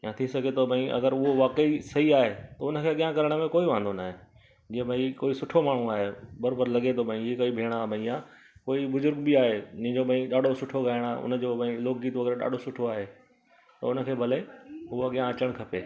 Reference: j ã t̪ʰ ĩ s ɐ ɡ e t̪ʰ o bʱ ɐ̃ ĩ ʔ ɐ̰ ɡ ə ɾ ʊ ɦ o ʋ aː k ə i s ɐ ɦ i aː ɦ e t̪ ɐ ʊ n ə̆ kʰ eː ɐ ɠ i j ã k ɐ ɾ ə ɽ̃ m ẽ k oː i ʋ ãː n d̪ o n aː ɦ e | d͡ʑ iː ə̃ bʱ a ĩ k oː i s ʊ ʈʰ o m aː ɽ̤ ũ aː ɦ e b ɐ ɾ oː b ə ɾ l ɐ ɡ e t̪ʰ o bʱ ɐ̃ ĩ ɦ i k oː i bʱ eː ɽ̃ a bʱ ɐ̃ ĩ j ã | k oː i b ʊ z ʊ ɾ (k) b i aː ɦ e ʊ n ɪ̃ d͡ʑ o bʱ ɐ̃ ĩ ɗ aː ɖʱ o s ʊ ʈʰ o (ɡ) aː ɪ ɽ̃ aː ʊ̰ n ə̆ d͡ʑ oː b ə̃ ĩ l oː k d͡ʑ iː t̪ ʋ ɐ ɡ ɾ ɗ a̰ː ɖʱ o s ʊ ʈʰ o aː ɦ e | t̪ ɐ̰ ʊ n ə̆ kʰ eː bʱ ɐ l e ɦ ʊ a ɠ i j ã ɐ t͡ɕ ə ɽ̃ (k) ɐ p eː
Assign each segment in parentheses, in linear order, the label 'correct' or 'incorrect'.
incorrect, correct, incorrect

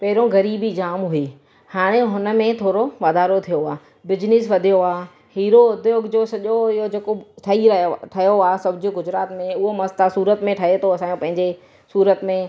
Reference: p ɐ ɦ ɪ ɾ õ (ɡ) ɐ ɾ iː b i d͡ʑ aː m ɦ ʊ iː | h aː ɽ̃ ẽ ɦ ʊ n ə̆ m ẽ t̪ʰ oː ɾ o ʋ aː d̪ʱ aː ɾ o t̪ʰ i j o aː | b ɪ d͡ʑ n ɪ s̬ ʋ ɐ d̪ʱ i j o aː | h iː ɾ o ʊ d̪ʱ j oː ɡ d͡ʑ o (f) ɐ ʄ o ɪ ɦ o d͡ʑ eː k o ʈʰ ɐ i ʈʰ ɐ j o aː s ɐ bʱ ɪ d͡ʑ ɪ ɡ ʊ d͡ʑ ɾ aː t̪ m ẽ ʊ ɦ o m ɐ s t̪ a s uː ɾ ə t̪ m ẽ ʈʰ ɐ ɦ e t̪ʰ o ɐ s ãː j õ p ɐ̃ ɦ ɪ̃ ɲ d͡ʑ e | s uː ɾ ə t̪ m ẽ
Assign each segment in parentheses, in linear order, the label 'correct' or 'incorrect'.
correct, incorrect

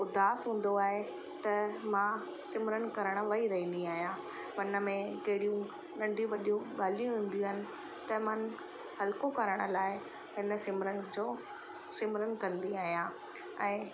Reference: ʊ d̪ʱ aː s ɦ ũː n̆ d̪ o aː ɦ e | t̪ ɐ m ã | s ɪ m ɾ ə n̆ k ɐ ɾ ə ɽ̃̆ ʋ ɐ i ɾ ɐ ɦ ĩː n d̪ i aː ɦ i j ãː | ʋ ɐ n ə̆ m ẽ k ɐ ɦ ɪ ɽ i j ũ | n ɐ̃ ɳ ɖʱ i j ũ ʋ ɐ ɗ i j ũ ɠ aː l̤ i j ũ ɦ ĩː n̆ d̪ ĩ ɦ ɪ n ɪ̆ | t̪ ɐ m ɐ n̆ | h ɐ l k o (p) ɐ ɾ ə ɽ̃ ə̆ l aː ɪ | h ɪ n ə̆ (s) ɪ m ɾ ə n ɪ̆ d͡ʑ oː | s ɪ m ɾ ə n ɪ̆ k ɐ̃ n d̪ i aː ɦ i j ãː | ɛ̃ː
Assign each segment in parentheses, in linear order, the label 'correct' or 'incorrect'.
incorrect, correct

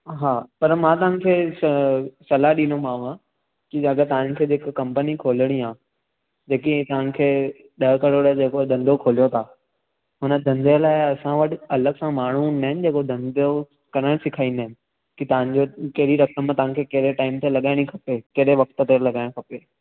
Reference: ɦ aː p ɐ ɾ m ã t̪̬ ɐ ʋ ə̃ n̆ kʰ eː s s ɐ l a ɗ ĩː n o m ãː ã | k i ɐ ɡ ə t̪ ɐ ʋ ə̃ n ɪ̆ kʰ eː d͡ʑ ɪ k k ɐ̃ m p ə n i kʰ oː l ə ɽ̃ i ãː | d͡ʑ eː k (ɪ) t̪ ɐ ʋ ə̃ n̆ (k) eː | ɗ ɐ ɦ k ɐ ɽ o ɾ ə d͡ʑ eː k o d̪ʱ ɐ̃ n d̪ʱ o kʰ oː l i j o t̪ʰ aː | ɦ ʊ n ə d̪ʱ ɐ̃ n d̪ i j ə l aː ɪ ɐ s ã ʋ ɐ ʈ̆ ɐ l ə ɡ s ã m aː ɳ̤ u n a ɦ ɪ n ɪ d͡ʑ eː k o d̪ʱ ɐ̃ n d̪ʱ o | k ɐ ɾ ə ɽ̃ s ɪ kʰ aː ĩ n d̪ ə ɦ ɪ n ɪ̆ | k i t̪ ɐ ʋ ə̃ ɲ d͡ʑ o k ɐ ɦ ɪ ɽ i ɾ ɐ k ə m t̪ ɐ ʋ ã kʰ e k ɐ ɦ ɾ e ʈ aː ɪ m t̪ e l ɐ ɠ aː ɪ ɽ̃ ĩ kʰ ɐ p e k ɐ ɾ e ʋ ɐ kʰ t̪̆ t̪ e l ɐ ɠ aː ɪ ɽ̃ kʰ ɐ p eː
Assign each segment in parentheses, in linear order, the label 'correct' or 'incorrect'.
incorrect, incorrect

